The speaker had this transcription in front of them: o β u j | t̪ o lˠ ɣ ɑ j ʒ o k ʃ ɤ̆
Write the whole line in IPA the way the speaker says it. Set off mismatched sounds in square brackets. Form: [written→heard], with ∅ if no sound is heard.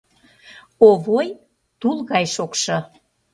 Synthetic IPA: o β [u→o] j | t̪ [o→u] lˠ ɣ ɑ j [ʒ→ʃ] o k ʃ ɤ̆